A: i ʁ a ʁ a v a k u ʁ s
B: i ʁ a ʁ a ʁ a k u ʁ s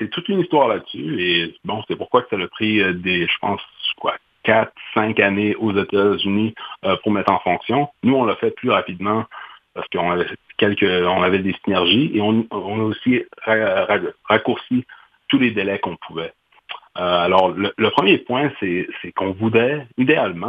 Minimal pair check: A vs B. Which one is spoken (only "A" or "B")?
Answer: B